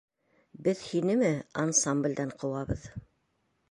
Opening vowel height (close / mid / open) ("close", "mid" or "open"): mid